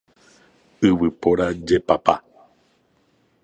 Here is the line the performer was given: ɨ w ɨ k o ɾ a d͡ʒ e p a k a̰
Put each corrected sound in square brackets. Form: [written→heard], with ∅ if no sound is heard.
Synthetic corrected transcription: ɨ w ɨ [k→p] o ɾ a d͡ʒ e p a [k→p] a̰